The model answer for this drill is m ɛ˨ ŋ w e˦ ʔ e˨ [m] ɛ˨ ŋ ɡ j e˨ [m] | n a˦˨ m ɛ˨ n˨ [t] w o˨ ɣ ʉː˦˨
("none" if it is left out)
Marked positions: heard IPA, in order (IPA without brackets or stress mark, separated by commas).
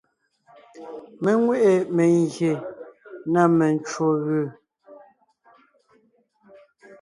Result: m, none, t͡ʃ